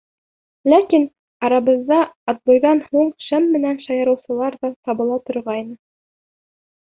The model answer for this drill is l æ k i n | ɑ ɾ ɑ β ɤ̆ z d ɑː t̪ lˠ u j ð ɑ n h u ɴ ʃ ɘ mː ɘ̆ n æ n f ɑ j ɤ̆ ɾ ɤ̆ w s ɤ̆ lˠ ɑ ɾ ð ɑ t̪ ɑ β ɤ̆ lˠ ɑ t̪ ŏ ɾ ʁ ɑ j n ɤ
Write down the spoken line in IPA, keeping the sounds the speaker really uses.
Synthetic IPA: l æ k i n | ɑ ɾ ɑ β ɤ̆ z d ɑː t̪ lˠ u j ð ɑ n h u ɴ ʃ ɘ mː ɘ̆ n æ n ʃ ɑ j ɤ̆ ɾ ɤ̆ w s ɤ̆ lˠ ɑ ɾ ð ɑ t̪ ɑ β ɤ̆ lˠ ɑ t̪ ŏ ɾ ʁ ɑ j n ɤ